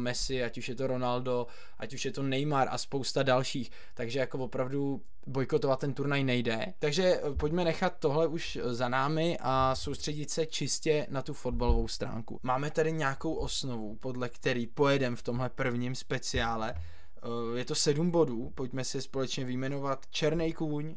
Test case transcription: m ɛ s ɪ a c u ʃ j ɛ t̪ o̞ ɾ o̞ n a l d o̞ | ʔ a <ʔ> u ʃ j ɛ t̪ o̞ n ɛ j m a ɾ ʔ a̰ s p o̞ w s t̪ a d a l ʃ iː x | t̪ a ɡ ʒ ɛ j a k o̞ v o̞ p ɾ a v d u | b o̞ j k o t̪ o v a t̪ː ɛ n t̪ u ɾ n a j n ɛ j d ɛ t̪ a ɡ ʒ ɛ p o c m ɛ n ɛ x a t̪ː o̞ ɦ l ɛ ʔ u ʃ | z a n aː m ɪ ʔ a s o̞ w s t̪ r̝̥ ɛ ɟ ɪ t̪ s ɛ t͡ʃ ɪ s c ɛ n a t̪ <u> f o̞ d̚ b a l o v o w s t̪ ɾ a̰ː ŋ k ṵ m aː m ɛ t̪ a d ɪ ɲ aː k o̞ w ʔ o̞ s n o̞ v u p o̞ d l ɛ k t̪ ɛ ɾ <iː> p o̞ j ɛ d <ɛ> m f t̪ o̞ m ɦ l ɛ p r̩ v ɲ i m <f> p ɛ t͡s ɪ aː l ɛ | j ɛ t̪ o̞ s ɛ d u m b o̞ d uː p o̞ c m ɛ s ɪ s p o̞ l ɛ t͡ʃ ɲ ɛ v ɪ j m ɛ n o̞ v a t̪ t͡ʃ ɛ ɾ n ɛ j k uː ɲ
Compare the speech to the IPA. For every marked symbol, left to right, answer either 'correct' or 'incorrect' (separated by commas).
incorrect, correct, correct, correct, incorrect